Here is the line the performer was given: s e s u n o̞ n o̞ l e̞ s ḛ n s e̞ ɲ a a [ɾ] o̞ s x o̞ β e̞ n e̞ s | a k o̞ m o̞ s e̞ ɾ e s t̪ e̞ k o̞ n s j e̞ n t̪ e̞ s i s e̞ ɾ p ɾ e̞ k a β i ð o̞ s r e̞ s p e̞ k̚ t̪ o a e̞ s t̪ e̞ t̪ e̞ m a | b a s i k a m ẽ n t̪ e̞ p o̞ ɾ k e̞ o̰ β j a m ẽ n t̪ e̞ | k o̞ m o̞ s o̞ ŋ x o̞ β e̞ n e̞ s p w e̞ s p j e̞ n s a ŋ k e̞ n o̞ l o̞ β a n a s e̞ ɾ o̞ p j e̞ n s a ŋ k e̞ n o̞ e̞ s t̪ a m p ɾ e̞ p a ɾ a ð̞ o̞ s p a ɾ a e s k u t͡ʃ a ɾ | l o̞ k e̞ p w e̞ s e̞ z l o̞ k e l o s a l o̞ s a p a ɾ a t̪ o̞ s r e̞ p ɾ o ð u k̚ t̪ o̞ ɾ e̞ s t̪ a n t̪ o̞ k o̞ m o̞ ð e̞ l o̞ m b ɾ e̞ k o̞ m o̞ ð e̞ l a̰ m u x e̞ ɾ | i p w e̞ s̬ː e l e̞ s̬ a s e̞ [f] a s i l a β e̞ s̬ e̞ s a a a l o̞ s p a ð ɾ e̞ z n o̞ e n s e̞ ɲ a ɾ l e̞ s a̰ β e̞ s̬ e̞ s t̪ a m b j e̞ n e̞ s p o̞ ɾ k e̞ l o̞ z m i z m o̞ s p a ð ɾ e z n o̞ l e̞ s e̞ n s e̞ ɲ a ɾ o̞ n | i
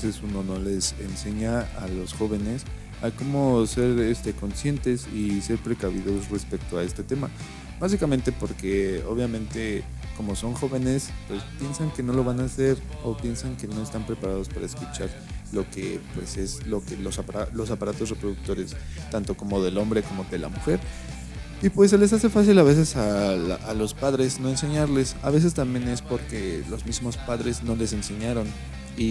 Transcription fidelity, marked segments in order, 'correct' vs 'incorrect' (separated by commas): incorrect, correct